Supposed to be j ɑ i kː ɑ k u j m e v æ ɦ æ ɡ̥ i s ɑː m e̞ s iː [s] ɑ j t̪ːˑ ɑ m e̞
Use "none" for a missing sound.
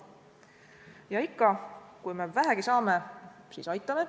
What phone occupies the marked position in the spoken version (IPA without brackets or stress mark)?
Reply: s